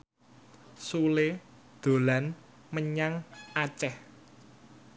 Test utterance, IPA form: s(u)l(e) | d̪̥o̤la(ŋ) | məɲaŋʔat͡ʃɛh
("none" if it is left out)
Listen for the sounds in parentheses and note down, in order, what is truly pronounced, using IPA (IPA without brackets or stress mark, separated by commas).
u, e, n